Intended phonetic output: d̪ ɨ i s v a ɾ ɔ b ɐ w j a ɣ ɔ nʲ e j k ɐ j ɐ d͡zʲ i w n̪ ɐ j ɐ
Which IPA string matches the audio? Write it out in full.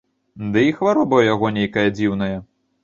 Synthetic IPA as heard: d̪ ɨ i x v a ɾ ɔ b ɐ w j a ɣ ɔ nʲ e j k ɐ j ɐ d͡zʲ i w n̪ ɐ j ɐ